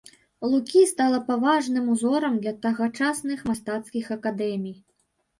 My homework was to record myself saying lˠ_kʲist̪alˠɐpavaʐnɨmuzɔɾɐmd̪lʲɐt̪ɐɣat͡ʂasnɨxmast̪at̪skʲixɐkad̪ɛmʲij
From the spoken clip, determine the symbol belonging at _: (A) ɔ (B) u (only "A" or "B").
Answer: B